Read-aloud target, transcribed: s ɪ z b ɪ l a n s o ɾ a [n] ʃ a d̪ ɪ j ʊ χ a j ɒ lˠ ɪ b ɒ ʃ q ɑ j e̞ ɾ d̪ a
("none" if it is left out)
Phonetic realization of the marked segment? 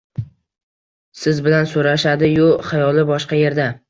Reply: none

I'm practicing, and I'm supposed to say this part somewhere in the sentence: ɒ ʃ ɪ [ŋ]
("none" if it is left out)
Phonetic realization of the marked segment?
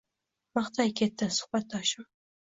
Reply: m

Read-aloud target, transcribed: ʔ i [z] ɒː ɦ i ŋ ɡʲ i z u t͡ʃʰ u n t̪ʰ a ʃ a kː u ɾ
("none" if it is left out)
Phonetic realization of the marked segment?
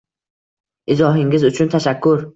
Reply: z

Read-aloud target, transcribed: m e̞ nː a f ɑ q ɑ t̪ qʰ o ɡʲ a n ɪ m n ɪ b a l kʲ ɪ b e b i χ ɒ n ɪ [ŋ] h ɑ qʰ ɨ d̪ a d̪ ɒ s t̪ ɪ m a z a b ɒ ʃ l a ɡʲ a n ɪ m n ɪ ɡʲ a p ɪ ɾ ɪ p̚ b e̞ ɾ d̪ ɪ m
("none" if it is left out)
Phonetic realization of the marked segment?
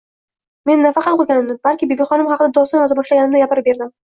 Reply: m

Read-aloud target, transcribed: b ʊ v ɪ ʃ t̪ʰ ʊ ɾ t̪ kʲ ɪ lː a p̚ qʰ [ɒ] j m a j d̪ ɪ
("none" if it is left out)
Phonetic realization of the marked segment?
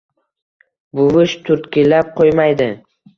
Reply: o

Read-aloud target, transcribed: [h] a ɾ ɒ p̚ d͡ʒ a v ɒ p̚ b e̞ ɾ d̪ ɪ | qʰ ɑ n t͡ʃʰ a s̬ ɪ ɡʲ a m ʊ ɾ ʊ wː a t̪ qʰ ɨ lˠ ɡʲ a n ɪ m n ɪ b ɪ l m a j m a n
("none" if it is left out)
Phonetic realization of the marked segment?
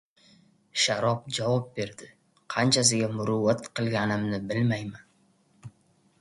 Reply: ʃ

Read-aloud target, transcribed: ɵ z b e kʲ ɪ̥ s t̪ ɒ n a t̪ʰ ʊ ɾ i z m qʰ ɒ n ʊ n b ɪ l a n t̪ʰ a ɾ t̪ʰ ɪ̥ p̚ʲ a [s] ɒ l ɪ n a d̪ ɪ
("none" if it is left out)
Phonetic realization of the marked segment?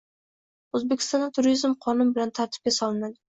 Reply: s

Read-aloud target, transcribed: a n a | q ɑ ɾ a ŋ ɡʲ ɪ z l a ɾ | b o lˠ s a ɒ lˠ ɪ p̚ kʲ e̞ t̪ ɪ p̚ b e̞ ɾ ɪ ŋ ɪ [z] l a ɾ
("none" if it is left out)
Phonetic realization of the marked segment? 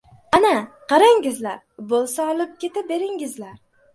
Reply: z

